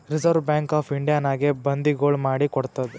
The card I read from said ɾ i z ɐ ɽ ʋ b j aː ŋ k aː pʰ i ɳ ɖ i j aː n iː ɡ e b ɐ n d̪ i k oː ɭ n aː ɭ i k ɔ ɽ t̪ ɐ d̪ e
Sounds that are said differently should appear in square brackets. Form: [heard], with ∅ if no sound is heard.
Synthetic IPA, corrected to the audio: ɾ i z ɐ [ɾ] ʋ b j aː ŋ k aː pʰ i ɳ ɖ i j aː n [aː] ɡ e b ɐ n d̪ i [ɡ] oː ɭ [m] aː [ɽ] i k ɔ ɽ t̪ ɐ d̪ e